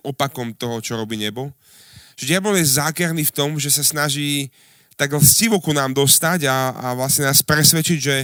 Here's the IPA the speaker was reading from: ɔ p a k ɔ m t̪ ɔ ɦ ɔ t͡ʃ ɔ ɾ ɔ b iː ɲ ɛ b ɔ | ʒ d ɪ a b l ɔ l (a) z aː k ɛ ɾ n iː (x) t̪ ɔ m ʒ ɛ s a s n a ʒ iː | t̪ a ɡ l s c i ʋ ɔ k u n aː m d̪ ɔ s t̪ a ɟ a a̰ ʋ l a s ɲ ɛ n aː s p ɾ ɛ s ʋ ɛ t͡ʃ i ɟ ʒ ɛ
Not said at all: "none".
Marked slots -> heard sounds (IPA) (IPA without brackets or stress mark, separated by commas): ɛ, f